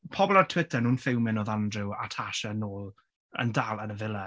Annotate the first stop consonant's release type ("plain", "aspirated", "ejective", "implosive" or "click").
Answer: aspirated